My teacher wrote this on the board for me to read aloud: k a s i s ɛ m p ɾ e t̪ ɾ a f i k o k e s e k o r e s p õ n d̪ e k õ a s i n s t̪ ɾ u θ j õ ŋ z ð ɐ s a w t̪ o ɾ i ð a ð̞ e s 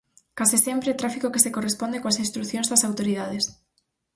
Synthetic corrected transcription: k a s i s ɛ m p ɾ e t̪ ɾ a f i k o k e s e k o r e s p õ n d̪ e k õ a s i n s t̪ ɾ u θ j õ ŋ z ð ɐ s a w t̪ o ɾ i ð a ð̞ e s